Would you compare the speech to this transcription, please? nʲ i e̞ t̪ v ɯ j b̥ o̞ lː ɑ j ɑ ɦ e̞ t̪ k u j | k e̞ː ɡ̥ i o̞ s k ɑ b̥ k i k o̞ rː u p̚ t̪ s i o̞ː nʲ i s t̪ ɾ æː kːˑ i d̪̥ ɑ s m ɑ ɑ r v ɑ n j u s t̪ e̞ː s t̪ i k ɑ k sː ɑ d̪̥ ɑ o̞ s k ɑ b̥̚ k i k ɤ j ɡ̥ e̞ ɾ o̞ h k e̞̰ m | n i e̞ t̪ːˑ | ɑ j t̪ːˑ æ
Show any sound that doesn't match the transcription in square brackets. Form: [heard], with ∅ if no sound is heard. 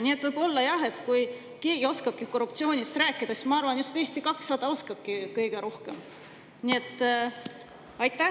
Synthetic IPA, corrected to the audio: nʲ i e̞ t̪ v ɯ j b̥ o̞ lː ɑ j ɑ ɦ e̞ t̪ k u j | k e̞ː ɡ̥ i o̞ s k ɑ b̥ k i k o̞ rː u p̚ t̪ s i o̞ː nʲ i s t̪ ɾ æː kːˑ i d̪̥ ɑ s m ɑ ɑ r v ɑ n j u s t̪ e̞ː s t̪ i k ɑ k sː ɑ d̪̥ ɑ o̞ s k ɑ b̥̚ k i k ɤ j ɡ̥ e̞ ɾ o̞ h k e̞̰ m | n i e̞ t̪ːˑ | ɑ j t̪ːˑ æ